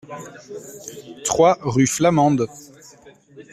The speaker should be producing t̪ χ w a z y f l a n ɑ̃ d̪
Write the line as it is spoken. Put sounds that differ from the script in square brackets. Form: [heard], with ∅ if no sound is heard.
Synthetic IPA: t̪ χ w a [ʁ] y f l a [m] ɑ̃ d̪